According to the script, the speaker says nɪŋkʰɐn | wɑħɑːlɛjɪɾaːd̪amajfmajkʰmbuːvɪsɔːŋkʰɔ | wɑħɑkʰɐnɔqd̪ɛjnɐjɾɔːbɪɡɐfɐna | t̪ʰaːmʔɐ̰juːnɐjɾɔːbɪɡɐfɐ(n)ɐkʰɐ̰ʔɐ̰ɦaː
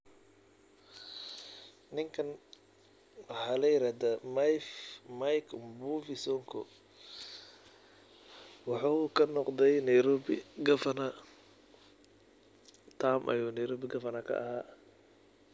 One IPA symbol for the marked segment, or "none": n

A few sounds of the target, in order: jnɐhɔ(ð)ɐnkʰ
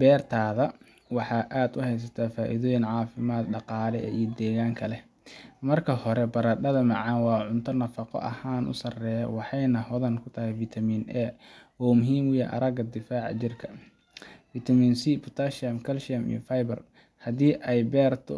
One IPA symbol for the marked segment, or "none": ð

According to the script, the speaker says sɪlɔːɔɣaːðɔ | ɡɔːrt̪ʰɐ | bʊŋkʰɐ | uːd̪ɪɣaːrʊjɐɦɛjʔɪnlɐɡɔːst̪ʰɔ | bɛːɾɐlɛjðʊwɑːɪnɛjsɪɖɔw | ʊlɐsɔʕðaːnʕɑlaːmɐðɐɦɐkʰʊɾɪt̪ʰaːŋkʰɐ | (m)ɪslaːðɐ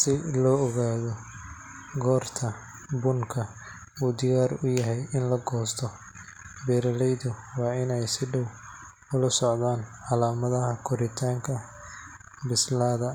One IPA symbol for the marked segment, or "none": b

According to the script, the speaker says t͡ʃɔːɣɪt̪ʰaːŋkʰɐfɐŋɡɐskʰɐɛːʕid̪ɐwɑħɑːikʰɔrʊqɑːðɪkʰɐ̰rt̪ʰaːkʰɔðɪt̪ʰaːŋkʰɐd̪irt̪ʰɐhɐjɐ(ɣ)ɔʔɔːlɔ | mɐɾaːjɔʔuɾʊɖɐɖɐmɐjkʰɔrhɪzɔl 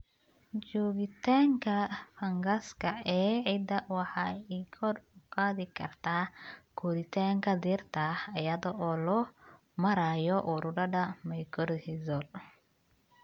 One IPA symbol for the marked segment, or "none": ð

